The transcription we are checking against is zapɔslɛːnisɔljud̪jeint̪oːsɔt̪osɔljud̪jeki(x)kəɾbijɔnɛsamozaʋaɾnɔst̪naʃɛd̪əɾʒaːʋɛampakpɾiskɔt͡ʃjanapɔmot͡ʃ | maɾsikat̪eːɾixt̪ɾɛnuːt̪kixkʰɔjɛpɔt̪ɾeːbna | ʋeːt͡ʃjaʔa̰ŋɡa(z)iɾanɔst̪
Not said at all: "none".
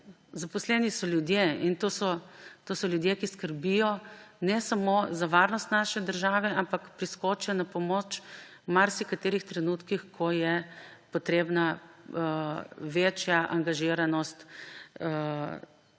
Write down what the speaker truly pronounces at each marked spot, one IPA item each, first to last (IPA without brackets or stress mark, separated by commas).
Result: s, ʒ